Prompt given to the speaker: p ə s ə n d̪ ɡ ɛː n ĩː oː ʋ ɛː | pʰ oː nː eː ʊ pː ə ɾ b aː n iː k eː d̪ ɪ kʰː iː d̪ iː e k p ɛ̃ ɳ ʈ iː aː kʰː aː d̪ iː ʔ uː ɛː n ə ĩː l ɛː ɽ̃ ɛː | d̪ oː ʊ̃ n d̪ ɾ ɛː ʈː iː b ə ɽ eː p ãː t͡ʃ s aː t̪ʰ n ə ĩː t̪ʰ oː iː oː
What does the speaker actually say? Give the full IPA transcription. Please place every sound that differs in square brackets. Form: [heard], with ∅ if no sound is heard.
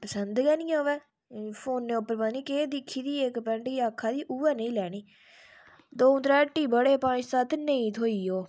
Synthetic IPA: p ə s ə n d̪ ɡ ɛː n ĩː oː ʋ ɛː | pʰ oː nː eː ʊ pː ə ɾ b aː n iː k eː d̪ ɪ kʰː iː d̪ iː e k p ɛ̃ ɳ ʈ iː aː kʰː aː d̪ iː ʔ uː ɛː n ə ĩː l ɛː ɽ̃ [iː] | d̪ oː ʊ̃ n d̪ ɾ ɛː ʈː iː b ə ɽ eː p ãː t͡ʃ s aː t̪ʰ n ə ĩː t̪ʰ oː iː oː